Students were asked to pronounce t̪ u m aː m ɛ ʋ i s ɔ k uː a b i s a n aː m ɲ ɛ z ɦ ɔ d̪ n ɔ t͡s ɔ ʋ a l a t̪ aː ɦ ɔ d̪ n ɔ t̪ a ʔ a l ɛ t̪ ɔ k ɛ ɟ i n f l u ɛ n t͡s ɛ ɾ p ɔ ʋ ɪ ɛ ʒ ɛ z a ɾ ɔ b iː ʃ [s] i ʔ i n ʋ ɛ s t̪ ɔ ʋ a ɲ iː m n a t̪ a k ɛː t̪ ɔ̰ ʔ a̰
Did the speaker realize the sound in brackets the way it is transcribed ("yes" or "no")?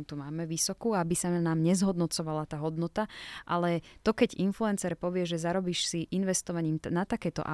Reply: yes